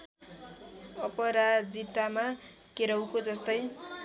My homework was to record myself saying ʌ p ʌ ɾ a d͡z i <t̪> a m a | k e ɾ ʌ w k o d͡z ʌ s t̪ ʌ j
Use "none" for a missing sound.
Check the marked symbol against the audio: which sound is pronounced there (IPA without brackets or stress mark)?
t̪